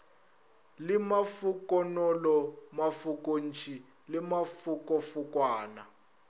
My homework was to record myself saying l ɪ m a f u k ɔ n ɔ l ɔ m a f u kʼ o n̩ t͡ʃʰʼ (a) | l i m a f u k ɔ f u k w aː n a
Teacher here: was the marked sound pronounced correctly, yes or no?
no